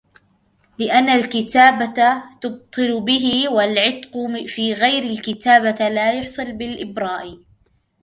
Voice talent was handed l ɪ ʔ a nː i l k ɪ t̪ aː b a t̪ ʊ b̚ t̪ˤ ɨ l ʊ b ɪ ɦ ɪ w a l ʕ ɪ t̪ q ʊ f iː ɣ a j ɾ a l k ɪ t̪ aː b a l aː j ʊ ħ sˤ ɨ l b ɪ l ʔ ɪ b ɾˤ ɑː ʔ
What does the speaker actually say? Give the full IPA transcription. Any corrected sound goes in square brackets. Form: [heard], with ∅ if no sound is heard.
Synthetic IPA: l ɪ ʔ a nː [a] l k ɪ t̪ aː b a t̪ ʊ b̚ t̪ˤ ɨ l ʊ b ɪ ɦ ɪ w a l ʕ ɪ t̪ q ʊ f iː ɣ a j ɾ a l k ɪ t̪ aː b a l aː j ʊ ħ sˤ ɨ l b ɪ l ʔ ɪ b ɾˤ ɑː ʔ